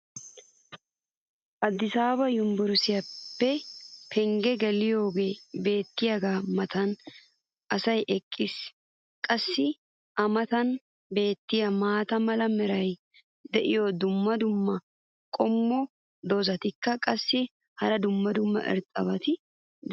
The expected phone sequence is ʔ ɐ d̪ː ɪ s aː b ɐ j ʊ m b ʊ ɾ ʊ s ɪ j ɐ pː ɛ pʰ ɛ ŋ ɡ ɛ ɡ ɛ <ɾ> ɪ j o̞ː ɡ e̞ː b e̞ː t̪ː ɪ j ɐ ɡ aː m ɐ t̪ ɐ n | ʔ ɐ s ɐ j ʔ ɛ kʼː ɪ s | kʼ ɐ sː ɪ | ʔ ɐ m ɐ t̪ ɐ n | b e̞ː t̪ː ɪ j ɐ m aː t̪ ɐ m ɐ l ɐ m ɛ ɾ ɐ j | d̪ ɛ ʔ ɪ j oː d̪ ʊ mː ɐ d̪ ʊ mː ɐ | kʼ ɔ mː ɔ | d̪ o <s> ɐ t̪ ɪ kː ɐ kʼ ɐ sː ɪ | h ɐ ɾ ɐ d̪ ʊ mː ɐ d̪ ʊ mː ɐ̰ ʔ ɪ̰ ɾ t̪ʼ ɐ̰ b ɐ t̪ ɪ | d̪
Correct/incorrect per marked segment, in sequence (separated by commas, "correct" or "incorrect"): incorrect, incorrect